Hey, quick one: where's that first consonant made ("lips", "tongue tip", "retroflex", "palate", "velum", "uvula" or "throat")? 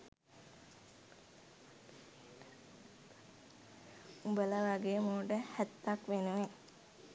lips